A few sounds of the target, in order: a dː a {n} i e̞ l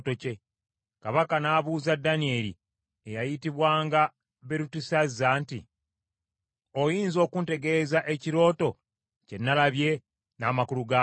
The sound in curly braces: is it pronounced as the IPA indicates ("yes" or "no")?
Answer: yes